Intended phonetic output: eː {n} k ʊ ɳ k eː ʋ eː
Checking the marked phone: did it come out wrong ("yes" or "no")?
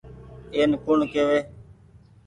no